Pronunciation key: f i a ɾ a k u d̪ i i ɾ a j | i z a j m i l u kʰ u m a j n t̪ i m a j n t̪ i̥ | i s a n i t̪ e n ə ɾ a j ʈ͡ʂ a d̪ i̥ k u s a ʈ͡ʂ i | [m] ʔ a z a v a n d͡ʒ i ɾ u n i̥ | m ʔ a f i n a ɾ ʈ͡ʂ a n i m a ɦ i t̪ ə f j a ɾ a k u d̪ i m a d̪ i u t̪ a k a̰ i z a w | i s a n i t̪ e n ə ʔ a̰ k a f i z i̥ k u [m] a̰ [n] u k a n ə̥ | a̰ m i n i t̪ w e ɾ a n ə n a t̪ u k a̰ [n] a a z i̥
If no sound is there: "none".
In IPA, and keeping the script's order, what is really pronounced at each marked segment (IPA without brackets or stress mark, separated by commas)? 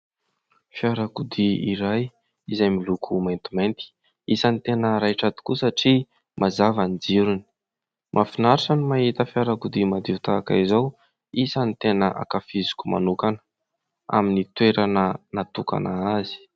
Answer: m, m, n, n